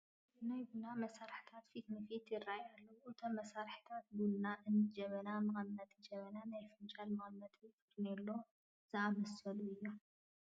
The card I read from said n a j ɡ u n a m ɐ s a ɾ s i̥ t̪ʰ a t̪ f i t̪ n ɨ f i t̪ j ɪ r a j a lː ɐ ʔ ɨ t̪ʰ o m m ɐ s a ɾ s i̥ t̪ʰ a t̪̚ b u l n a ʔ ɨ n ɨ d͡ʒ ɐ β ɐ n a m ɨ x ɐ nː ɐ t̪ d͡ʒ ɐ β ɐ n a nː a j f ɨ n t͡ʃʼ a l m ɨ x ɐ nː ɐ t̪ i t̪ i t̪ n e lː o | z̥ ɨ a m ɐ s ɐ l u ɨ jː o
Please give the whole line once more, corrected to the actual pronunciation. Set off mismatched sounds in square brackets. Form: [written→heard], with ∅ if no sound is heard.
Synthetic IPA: n a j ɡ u n a m ɐ s a ɾ [s→ħ] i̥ t̪ʰ a t̪ f i t̪ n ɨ f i t̪ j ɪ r a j a lː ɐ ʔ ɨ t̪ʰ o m m ɐ s a ɾ [s→ħ] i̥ t̪ʰ a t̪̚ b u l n a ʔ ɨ n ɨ d͡ʒ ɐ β ɐ n a m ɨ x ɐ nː ɐ t̪ d͡ʒ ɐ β ɐ n a [nː→n] a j f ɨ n t͡ʃʼ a l m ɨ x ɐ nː ɐ t̪ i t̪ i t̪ n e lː o | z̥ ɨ a m ɐ s ɐ l u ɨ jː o

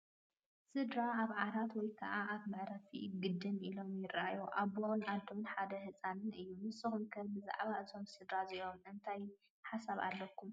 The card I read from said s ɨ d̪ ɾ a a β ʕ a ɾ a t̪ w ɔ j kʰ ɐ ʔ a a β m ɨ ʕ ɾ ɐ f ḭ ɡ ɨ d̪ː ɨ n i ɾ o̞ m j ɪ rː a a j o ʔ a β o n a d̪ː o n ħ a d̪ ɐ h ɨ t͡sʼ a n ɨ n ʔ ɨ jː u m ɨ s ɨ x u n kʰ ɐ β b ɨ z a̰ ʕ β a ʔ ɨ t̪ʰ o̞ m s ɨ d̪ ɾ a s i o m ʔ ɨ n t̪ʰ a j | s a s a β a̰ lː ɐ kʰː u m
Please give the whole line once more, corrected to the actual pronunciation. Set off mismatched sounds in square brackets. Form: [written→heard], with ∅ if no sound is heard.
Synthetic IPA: s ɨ d̪ ɾ a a β ʕ a ɾ a t̪ w ɔ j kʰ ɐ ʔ a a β m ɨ ʕ ɾ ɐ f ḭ ɡ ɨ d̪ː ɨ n i [ɾ→l] o̞ m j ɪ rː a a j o ʔ a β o n a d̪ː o n ħ a d̪ ɐ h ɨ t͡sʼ a n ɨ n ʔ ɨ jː u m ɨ s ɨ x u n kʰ ɐ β b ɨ z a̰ ʕ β a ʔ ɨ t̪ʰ o̞ m s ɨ d̪ ɾ a [s→z] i o m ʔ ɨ n t̪ʰ a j | [s→ħ] a s a β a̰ lː ɐ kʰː u m

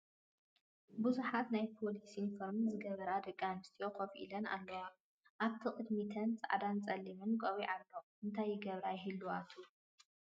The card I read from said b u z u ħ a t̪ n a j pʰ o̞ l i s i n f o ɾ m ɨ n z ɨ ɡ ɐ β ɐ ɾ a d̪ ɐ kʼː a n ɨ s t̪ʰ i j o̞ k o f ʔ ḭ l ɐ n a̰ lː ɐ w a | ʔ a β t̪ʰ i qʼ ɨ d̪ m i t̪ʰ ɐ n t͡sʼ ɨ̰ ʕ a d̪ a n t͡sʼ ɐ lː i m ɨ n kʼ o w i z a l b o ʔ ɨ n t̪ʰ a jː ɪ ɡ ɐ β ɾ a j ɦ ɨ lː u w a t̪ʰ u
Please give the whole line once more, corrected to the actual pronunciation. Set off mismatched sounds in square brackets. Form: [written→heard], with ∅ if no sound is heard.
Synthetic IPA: b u z u ħ a t̪ n a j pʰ o̞ l i s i n f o ɾ m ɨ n z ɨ ɡ ɐ β ɐ ɾ a d̪ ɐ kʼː a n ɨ s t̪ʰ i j o̞ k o f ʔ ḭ l ɐ n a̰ lː ɐ w a | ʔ a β t̪ʰ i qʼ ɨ d̪ m i t̪ʰ ɐ n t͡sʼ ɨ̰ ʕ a d̪ a n t͡sʼ ɐ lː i m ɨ n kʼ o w i [z→ʕ] a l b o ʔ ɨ n t̪ʰ a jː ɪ ɡ ɐ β ɾ a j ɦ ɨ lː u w a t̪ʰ u

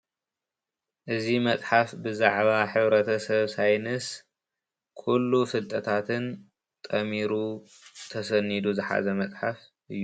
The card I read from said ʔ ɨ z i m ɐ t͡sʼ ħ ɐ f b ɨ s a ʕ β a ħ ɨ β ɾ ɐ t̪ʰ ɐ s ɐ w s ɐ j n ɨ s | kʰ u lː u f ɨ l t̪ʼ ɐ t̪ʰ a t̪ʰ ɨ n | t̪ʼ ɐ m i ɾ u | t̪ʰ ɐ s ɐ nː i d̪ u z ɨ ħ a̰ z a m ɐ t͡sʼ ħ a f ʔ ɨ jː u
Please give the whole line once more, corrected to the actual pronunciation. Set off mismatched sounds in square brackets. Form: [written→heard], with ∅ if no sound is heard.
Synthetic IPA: ʔ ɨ z i m ɐ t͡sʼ ħ [ɐ→a] f b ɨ [s→z] a ʕ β a ħ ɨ β ɾ ɐ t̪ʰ ɐ s ɐ [w→β] s [ɐ→a] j n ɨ s | kʰ u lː u f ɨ l t̪ʼ ɐ t̪ʰ a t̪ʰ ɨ n | t̪ʼ ɐ m i ɾ u | t̪ʰ ɐ s ɐ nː i d̪ u z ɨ ħ a̰ z [a→ɐ] m ɐ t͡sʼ ħ a f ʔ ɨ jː u

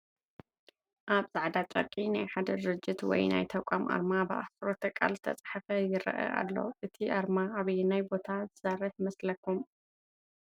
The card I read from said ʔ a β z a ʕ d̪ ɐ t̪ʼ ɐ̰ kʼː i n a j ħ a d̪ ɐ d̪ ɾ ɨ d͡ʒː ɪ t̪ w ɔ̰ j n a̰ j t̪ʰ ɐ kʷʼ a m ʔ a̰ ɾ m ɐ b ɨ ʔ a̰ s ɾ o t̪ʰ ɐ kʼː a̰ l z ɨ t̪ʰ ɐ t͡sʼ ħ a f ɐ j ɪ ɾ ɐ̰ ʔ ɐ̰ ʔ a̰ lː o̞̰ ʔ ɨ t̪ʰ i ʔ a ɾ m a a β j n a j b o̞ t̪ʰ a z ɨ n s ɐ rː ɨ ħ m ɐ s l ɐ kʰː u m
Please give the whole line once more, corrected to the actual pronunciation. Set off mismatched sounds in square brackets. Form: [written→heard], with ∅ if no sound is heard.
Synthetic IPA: ʔ a β z a ʕ d̪ [ɐ→a] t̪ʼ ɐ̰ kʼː i n a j ħ a d̪ ɐ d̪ ɾ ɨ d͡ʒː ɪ t̪ w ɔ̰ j n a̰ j t̪ʰ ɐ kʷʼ a m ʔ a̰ ɾ m [ɐ→a] b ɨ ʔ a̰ s ɾ o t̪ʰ ɐ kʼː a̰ l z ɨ t̪ʰ ɐ t͡sʼ ħ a f ɐ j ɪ ɾ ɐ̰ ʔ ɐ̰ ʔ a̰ lː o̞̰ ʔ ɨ t̪ʰ i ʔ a ɾ m a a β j n a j b o̞ t̪ʰ a z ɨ [n→∅] s ɐ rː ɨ ħ m ɐ s l ɐ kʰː u m

